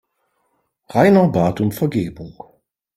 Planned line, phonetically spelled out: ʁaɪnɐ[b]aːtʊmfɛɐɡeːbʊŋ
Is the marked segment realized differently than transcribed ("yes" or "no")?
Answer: no